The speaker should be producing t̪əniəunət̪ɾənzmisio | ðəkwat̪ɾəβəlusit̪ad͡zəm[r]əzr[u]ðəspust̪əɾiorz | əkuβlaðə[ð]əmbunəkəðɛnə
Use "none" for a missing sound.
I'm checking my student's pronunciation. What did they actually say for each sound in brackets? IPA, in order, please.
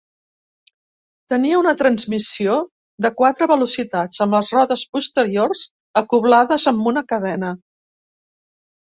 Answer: l, ɔ, z

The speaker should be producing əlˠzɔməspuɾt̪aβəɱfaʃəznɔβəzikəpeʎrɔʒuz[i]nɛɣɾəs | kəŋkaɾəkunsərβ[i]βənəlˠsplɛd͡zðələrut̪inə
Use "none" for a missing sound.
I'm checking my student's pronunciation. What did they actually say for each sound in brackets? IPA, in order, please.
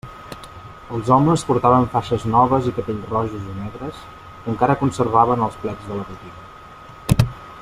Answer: i, a

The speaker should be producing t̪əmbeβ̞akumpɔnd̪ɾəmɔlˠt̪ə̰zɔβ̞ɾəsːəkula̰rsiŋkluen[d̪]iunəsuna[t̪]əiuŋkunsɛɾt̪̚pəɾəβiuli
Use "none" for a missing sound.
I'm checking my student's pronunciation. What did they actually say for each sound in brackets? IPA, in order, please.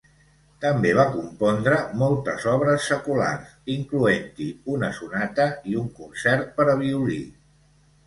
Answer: t̪, t̪

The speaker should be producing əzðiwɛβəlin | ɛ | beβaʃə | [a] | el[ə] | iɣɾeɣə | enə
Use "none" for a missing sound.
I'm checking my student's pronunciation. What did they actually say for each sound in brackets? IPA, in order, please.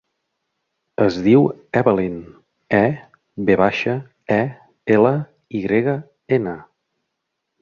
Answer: ɛ, ə

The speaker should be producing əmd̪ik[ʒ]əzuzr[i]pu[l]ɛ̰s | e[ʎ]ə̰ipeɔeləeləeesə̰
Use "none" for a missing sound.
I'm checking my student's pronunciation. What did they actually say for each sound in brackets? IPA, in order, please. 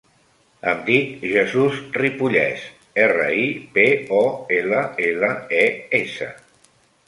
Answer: ʒ, i, ʎ, r

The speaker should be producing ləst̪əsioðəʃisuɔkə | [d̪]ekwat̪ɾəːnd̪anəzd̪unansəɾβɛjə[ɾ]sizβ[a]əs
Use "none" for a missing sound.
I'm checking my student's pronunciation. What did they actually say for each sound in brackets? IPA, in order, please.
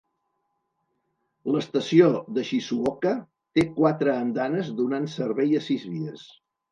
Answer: t̪, none, i

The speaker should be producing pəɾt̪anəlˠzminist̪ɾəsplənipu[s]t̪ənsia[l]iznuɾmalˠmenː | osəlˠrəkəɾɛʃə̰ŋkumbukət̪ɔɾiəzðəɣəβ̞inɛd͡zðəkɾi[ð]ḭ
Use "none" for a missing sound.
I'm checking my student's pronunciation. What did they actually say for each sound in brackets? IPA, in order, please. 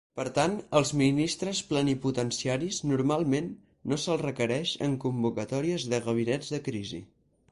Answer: none, ɾ, z

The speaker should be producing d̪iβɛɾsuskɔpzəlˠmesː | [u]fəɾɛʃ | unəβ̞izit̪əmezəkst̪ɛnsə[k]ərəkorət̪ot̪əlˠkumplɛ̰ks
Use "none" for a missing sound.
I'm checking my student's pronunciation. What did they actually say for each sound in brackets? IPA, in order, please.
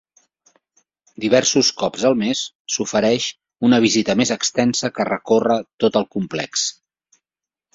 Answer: u, k

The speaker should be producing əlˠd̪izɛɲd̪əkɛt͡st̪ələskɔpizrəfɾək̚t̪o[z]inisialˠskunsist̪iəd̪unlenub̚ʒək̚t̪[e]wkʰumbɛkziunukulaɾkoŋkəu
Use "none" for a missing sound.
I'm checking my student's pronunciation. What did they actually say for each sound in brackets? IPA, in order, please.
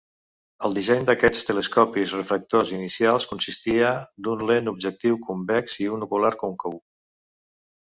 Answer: z, i

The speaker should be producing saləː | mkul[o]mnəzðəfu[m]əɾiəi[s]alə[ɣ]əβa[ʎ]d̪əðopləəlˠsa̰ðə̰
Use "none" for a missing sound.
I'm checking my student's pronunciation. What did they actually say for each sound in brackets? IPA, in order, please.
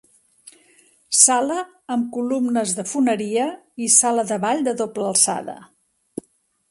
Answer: u, n, s, ð, ʎ

